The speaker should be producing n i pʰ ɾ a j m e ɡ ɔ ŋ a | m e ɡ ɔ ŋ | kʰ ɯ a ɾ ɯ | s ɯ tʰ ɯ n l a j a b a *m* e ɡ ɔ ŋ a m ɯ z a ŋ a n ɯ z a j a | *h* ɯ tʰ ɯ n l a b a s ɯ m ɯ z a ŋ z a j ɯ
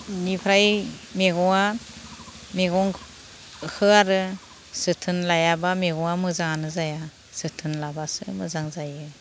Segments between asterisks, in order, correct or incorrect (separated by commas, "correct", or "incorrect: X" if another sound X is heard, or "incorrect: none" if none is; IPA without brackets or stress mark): correct, incorrect: s